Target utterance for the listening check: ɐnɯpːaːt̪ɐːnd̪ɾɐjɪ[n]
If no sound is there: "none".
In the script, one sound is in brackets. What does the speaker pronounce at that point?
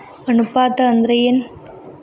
n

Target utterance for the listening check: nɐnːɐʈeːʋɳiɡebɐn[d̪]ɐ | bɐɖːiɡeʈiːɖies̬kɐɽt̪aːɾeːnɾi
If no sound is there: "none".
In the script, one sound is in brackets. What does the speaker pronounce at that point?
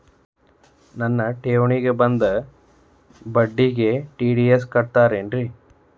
d̪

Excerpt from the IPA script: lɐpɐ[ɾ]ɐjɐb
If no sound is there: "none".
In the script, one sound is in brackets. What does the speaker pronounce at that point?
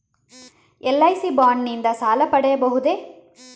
ɽ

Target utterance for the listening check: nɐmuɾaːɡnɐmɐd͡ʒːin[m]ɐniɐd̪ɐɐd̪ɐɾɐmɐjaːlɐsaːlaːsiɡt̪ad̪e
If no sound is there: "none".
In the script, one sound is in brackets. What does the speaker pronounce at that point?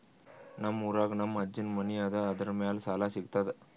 m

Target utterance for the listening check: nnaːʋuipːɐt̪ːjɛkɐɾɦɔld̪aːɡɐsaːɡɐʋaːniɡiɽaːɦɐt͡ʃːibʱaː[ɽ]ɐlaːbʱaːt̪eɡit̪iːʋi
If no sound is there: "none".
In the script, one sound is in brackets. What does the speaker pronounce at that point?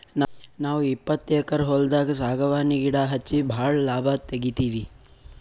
ɭ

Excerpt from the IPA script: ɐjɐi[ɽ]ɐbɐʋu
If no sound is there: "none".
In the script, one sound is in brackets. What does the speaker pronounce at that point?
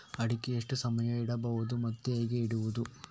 ɽ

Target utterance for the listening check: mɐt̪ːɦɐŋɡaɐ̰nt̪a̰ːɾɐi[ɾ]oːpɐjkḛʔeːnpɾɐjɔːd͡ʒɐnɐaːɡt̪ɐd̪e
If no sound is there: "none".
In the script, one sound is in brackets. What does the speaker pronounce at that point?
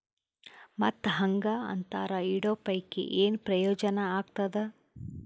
ɽ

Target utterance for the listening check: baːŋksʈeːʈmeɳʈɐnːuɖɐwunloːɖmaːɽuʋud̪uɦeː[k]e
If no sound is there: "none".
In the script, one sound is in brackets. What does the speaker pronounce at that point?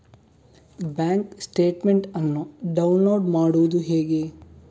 ɡ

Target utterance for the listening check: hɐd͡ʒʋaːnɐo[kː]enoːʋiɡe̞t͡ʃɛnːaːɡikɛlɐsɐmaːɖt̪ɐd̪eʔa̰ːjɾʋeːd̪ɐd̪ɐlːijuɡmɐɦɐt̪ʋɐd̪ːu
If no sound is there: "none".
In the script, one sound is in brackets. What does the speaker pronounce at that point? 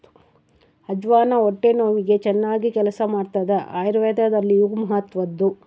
ʈː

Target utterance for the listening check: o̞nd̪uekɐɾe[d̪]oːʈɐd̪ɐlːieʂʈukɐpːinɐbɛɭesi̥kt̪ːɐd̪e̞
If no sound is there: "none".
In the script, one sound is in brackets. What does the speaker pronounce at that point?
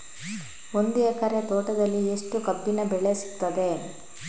t̪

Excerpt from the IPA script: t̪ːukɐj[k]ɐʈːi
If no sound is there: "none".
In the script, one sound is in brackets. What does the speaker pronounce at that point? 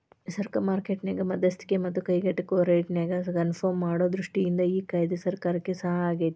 ɡ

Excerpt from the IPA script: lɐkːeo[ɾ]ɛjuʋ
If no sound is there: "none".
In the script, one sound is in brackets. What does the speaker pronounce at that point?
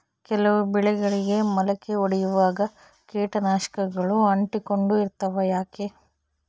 ɽ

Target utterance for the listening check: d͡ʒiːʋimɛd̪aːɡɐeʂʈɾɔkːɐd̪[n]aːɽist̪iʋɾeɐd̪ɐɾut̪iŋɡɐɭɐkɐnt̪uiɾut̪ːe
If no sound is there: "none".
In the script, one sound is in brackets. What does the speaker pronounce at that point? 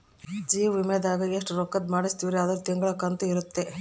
m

